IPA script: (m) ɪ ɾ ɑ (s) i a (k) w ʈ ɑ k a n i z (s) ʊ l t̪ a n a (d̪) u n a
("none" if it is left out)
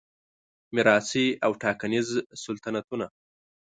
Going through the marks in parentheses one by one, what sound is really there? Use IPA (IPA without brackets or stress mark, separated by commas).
m, s, none, s, t̪